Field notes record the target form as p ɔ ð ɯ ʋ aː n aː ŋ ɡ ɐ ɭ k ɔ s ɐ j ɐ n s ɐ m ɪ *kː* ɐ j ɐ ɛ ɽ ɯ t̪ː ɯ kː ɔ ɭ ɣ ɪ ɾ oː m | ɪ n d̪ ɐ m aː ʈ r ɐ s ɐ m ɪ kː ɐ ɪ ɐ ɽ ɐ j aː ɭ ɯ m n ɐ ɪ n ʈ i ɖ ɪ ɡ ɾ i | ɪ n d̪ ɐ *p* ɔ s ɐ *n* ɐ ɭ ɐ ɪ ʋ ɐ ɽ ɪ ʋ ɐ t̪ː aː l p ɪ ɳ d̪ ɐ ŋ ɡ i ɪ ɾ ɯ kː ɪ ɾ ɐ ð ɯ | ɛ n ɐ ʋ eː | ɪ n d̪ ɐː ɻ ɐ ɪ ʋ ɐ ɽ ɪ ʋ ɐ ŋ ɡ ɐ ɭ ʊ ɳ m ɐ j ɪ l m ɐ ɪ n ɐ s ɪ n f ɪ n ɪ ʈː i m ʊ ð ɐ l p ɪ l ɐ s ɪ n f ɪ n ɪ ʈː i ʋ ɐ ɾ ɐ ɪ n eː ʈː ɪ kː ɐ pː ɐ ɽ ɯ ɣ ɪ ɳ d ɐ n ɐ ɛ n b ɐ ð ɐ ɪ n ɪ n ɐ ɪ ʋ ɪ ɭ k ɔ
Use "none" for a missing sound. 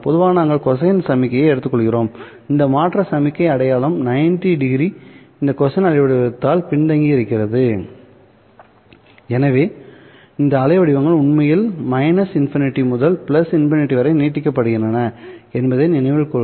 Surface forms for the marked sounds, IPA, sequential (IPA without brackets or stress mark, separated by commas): kː, k, n